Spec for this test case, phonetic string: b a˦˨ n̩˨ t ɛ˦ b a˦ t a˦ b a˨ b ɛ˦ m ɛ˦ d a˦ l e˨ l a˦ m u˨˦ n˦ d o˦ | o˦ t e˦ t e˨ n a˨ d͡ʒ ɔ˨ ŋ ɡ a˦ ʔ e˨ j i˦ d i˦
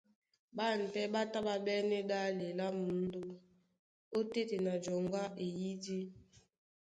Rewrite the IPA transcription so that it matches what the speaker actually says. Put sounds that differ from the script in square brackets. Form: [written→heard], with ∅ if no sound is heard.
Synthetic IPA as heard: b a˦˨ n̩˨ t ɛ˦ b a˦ t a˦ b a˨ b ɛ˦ [m→n] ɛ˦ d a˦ l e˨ l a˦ m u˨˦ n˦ d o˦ | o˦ t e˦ t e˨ n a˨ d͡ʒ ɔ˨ ŋ ɡ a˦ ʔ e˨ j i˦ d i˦

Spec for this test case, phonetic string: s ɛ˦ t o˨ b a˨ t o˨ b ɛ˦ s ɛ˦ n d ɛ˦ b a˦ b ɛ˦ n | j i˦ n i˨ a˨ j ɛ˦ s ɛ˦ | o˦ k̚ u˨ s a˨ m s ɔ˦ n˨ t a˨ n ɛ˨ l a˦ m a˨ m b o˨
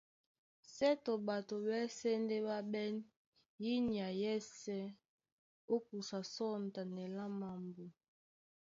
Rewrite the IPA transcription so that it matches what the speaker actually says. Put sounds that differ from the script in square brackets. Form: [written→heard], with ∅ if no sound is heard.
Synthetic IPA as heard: s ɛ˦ t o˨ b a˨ t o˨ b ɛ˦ s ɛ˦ n d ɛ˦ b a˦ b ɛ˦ n | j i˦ n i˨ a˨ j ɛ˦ s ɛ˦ | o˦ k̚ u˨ s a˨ [m→∅] s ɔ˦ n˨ t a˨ n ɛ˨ l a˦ m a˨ m b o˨

